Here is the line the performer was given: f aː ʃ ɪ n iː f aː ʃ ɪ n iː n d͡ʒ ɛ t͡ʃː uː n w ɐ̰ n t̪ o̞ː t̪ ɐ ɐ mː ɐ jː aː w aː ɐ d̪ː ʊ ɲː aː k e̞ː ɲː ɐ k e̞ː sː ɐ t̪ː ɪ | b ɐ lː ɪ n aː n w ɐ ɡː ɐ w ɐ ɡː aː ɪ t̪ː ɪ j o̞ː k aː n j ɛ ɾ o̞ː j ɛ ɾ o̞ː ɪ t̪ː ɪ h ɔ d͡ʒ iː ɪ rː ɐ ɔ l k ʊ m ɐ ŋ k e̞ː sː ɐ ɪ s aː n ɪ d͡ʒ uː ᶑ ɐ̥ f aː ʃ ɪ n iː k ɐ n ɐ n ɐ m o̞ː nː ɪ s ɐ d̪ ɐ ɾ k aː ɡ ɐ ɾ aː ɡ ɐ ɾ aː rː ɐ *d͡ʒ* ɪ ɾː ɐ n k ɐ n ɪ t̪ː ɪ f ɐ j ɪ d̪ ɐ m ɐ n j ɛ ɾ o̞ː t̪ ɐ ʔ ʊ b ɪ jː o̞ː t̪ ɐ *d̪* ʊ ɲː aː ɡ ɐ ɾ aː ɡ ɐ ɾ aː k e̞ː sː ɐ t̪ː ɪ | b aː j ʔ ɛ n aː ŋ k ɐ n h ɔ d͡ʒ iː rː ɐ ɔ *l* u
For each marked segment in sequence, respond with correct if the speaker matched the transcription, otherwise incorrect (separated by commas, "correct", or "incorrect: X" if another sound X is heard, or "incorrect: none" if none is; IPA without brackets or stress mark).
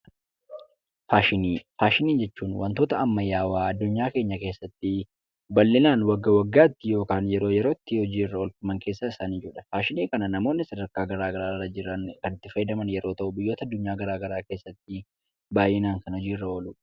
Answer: correct, incorrect: d̪ː, correct